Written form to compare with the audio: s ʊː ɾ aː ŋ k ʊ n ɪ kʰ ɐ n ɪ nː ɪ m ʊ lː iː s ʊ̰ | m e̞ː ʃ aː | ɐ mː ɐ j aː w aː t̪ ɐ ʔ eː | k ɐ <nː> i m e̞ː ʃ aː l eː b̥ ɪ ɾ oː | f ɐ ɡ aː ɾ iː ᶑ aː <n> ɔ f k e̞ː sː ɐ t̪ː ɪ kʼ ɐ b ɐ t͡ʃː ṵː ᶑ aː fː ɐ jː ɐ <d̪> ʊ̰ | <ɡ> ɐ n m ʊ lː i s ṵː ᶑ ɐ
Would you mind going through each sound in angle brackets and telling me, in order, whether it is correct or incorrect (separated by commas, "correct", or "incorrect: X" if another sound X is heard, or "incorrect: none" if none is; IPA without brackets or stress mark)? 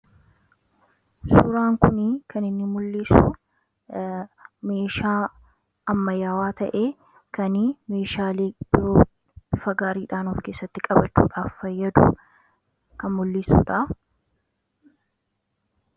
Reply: incorrect: n, correct, correct, incorrect: k